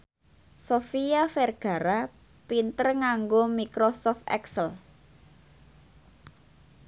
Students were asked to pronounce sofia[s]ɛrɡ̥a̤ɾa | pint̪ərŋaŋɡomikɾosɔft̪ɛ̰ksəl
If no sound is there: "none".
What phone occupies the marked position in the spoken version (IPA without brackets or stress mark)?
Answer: f